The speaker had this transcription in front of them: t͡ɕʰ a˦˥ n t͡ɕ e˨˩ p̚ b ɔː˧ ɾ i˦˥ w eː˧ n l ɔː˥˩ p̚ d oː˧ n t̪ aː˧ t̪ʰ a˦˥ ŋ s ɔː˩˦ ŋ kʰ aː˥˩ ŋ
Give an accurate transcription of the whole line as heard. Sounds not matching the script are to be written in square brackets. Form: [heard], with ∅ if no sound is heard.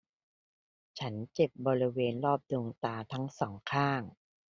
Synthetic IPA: t͡ɕʰ a˦˥ n t͡ɕ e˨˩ p̚ b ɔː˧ ɾ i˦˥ w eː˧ n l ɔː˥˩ p̚ d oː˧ [ŋ] t̪ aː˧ t̪ʰ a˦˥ ŋ s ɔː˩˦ ŋ kʰ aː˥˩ ŋ